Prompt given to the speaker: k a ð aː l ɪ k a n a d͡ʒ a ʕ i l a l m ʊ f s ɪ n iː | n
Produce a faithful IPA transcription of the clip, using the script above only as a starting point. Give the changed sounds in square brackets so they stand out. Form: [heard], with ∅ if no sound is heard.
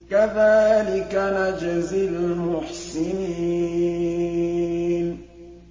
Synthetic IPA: k a ð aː l ɪ k a n a d͡ʒ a [z] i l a l m ʊ [ħ] s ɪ n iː | n